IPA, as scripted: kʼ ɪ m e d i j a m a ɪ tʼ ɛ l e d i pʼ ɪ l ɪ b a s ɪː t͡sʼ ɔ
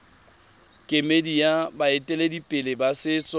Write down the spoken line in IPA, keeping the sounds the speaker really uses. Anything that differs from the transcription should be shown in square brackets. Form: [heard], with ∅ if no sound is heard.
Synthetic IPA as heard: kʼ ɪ m e d i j a [b] a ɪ tʼ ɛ l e d i pʼ ɪ l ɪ b a s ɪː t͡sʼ ɔ